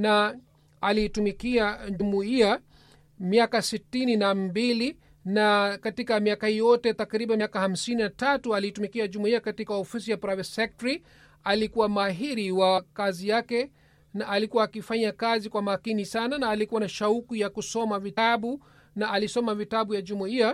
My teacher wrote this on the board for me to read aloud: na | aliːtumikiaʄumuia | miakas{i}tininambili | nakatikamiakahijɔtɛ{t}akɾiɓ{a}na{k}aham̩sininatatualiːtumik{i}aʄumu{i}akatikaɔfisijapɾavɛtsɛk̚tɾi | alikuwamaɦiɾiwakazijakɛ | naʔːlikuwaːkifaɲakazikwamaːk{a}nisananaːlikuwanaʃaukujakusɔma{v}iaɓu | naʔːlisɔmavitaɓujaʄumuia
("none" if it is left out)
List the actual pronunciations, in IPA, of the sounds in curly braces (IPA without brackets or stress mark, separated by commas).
i, t, a, k, i, i, i, v